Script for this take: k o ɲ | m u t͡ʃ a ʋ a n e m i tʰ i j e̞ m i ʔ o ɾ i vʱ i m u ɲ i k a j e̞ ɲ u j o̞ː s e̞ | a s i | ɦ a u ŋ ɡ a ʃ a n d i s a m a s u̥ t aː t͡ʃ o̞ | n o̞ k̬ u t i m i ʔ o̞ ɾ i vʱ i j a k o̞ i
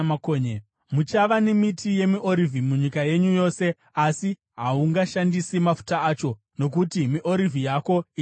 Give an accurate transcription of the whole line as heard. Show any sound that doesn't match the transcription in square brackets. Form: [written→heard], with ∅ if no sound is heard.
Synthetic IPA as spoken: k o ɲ | m u t͡ʃ a ʋ a n e m i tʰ i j e̞ m i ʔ o ɾ i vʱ i m u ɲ i k a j e̞ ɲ u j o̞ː s e̞ | a s i | ɦ a u ŋ ɡ a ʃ a n d i s [a→i] m a [s→f] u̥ t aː t͡ʃ o̞ | n o̞ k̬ u t i m i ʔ o̞ ɾ i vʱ i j a k o̞ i